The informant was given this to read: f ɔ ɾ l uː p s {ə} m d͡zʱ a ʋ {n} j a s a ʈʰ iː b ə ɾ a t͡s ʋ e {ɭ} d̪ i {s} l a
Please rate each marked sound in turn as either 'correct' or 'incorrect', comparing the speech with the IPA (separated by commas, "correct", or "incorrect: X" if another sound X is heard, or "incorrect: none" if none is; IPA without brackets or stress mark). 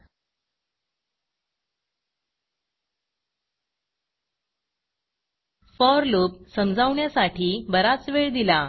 correct, incorrect: ɳ, correct, incorrect: none